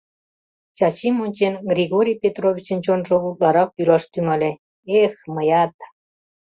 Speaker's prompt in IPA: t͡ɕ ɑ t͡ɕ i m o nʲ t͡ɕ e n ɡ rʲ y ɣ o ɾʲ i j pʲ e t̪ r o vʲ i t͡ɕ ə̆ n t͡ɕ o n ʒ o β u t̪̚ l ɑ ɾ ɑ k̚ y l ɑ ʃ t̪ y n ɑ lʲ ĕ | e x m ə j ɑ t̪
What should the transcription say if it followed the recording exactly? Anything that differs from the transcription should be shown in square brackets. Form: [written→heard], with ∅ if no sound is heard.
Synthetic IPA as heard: t͡ɕ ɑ t͡ɕ i m o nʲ t͡ɕ e n ɡ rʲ [y→i] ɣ o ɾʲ i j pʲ e t̪ r o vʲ i t͡ɕ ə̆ n t͡ɕ o n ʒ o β u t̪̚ l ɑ ɾ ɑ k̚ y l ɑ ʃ t̪ y [n→ŋ] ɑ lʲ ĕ | e x m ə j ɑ t̪

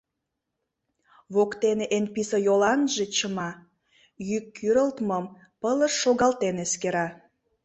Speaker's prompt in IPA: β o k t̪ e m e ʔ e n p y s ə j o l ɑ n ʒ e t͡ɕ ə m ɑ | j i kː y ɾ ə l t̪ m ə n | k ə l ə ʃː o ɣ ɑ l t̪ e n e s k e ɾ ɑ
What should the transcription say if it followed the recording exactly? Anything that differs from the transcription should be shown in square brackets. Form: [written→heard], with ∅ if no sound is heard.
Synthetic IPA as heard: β o k t̪ e [m→n] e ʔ e n p [y→i] s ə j o l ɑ n ʒ e t͡ɕ ə m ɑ | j [i→y] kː y ɾ ə l t̪ m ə [n→m] | [k→p] ə l ə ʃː o ɣ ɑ l t̪ e n e s k e ɾ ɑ

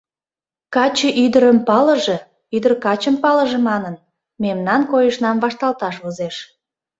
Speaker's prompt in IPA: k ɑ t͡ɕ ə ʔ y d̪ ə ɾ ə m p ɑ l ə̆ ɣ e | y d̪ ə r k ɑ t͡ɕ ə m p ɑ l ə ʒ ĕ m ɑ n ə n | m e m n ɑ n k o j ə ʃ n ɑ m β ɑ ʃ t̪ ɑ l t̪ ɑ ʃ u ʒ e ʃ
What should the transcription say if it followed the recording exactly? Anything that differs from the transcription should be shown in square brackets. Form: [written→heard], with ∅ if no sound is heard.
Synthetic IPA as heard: k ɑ t͡ɕ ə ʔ y d̪ ə ɾ ə m p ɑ l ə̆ [ɣ→ʒ] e | y d̪ ə r k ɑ t͡ɕ ə m p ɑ l ə ʒ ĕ m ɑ n ə n | m e m n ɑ n k o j ə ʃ n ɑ m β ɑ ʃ t̪ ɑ l t̪ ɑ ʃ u [ʒ→z] e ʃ

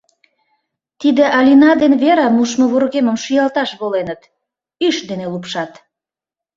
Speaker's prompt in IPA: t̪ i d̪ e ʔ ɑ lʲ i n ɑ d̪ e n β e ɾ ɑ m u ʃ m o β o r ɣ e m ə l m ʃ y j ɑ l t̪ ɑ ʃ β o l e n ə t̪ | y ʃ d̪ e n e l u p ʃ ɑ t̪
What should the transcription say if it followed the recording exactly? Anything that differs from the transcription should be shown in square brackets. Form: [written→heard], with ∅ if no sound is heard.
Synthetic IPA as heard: t̪ i d̪ e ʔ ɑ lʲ i n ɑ d̪ e n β e ɾ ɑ m u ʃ m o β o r ɣ e m ə [l→∅] m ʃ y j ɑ l t̪ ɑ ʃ β o l e n ə t̪ | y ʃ d̪ e n e l u p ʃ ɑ t̪

